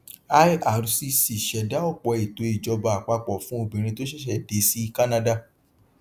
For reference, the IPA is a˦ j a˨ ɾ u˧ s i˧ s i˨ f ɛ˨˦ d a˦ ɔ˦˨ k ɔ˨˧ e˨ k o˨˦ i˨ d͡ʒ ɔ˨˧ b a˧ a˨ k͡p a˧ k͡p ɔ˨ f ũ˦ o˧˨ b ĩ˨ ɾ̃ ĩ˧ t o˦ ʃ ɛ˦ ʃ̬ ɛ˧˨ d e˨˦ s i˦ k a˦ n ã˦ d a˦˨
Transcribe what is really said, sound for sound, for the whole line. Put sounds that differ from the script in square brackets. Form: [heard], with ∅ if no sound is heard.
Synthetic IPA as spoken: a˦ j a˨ ɾ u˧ s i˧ s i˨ [ʃ] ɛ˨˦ d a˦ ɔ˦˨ [k͡p] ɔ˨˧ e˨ [t] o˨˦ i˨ d͡ʒ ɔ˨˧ b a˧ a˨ k͡p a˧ k͡p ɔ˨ f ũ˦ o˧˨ b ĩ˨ ɾ̃ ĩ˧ t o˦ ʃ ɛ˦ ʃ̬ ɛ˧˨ d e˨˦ s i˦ k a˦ n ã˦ d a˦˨